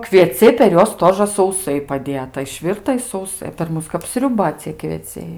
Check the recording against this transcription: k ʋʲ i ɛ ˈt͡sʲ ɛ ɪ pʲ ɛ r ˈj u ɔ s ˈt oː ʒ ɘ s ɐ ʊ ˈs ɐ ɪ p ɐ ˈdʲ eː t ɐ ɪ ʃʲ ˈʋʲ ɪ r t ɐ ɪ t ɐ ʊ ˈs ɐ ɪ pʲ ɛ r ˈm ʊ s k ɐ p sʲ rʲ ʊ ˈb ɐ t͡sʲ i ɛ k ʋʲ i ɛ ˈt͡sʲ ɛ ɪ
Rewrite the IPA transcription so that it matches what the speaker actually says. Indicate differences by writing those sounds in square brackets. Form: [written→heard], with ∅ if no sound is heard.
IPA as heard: k ʋʲ i ɛ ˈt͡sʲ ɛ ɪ pʲ ɛ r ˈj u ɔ s ˈt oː ʒ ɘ s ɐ ʊ ˈs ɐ ɪ p ɐ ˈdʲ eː t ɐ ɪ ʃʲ ˈʋʲ ɪ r t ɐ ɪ [t→s] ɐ ʊ ˈs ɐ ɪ pʲ ɛ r ˈm ʊ s k ɐ p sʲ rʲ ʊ ˈb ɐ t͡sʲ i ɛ k ʋʲ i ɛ ˈt͡sʲ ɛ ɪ